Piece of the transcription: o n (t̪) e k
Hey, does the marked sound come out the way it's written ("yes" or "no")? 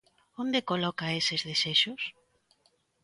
no